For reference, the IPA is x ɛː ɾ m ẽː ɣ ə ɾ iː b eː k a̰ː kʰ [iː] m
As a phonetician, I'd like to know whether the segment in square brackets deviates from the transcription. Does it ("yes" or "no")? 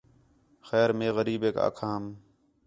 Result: yes